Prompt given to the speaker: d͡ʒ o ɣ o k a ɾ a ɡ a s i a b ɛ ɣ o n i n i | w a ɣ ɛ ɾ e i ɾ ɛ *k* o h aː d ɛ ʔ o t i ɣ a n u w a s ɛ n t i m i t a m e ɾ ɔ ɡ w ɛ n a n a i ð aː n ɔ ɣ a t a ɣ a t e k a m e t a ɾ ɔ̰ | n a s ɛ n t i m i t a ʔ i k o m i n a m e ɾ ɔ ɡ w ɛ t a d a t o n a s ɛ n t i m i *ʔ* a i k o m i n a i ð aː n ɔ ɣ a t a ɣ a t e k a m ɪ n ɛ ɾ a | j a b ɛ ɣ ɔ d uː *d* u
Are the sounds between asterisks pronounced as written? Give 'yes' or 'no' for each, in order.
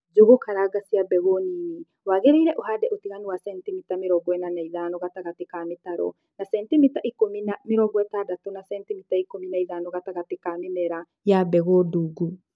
no, no, no

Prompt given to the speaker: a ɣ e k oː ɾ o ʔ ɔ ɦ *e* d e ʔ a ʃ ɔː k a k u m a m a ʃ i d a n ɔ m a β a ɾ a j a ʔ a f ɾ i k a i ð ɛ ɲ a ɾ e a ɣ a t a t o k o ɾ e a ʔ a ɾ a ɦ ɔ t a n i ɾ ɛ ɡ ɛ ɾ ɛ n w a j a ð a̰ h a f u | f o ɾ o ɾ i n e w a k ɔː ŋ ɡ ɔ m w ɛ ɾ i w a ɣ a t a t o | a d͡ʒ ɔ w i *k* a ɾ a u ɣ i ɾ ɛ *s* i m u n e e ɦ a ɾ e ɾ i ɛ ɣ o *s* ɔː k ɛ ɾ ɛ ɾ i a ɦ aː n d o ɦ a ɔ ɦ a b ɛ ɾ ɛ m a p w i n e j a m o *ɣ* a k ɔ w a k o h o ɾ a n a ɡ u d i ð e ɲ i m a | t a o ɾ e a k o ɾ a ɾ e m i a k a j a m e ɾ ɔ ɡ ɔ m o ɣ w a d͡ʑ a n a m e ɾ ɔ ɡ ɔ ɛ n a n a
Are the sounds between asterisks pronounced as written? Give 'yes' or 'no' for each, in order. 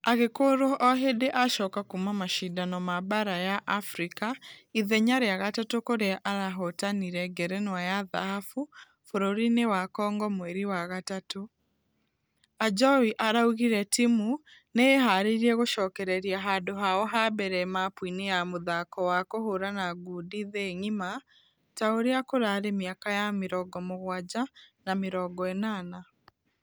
yes, no, no, no, no

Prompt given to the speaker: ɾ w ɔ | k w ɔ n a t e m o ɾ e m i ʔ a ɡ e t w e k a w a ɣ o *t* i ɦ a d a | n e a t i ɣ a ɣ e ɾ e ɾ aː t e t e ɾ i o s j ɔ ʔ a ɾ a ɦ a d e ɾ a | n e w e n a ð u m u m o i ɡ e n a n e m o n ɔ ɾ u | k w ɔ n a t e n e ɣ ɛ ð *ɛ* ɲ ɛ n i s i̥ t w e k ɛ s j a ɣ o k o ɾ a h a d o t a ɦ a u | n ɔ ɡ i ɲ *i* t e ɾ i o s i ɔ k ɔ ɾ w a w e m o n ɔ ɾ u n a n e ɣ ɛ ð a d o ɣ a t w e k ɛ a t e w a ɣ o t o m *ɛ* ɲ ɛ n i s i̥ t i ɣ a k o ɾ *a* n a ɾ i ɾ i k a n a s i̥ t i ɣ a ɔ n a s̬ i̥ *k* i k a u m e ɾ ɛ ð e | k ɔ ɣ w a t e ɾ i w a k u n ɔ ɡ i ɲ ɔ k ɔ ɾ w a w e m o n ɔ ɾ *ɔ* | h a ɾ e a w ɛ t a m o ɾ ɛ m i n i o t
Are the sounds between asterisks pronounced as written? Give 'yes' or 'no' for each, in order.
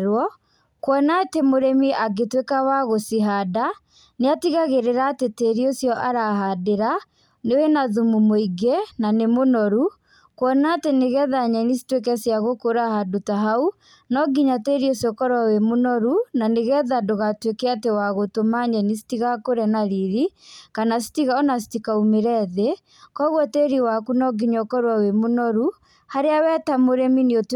no, no, no, no, no, no, no

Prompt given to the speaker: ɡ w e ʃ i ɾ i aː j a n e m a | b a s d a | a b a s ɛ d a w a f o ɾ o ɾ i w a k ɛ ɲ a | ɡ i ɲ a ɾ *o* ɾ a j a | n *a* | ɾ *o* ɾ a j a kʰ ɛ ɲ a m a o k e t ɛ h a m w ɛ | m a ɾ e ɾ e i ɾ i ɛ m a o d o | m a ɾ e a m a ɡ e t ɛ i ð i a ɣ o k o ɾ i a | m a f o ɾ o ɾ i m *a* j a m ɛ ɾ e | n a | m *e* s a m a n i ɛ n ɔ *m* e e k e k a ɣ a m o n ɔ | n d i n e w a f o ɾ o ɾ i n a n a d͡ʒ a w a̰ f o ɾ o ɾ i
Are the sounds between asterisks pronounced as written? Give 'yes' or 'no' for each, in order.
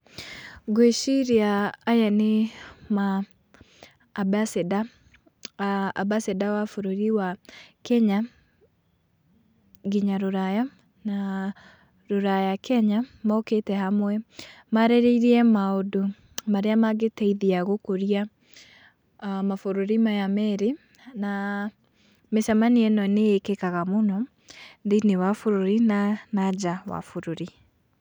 yes, yes, yes, yes, yes, no

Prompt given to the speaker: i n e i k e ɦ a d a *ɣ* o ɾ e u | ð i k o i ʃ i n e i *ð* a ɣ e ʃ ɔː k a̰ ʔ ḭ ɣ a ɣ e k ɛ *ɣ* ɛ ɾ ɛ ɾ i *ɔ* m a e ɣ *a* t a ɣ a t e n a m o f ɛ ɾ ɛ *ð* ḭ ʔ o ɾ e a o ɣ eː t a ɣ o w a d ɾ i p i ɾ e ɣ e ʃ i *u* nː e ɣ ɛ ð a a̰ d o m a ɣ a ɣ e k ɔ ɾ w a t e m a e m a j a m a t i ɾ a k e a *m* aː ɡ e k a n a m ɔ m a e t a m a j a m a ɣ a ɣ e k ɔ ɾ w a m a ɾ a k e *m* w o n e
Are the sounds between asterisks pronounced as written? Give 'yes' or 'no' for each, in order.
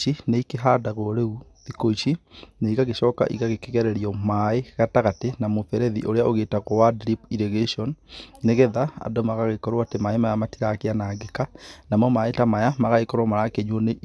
yes, no, yes, yes, yes, yes, no, no, no

